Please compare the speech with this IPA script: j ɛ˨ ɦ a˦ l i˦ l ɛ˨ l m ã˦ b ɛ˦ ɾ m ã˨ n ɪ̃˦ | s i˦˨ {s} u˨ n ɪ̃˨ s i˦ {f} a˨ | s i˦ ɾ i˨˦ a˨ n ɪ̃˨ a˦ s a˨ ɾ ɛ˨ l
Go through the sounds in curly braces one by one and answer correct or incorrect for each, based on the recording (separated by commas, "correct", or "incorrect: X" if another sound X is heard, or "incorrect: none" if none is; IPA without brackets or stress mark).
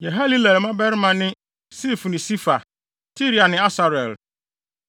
incorrect: f, correct